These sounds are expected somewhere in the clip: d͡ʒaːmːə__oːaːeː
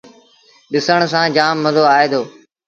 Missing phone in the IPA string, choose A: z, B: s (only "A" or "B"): A